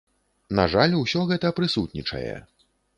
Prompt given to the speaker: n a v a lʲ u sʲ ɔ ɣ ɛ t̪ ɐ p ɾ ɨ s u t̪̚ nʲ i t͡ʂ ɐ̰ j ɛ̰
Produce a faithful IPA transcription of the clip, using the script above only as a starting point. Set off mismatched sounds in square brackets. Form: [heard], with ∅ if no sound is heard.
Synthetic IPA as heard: n a [ʐ] a lʲ u sʲ ɔ ɣ ɛ t̪ ɐ p ɾ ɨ s u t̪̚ nʲ i t͡ʂ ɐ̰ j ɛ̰